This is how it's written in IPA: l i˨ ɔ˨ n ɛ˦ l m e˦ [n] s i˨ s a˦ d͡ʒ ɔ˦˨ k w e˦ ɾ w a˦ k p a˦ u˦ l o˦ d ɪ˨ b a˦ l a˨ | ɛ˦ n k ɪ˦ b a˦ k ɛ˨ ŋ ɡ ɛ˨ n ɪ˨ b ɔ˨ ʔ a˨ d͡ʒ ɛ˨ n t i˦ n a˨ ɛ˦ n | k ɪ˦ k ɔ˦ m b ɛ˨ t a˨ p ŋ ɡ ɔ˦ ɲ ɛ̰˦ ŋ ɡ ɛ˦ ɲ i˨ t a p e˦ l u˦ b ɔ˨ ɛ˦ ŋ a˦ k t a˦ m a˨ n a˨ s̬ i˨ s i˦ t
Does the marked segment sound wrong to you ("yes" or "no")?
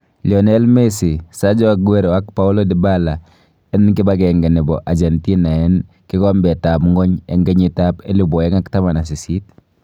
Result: yes